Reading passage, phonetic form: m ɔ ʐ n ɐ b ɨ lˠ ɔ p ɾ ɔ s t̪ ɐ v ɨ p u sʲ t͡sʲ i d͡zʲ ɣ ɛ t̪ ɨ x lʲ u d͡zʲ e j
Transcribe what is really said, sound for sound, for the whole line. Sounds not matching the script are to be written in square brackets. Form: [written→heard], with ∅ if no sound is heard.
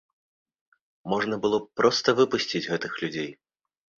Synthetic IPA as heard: m ɔ ʐ n ɐ b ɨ lˠ ɔ p ɾ ɔ s t̪ ɐ v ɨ p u sʲ t͡sʲ i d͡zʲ ɣ ɛ t̪ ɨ x lʲ u d͡zʲ e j